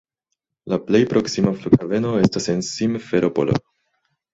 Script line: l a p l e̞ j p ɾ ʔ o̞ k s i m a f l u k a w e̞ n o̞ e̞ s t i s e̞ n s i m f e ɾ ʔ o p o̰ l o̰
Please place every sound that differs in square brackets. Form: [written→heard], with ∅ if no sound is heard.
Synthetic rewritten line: l a p l e̞ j p ɾ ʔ o̞ k s i m a f l u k a [w→v] e̞ n o̞ e̞ s t [i→a] s e̞ n s i m f e ɾ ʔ o p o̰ l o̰